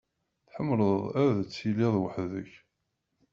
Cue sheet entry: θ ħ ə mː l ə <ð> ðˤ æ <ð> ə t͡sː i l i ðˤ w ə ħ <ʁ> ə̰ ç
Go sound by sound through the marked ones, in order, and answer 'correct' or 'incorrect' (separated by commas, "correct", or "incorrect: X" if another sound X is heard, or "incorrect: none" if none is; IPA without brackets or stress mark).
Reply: correct, correct, incorrect: ð